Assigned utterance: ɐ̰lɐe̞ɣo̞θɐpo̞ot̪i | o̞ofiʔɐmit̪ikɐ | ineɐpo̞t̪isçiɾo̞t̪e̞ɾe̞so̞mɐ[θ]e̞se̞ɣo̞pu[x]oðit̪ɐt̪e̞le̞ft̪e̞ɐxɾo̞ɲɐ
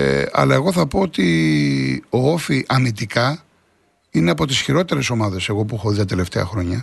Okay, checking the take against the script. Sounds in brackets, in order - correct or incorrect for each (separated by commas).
incorrect, correct